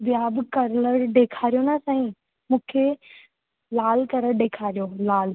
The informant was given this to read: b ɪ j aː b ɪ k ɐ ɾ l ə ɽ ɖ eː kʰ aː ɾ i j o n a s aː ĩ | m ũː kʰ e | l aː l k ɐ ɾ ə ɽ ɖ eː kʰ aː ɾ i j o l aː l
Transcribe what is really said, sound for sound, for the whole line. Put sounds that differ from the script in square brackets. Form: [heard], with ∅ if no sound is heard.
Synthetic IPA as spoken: b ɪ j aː b ɪ k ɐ ɾ l ə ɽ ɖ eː kʰ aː ɾ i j o n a s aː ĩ | m ũː kʰ e | l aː l k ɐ ɾ ə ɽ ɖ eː kʰ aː ɾ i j o l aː l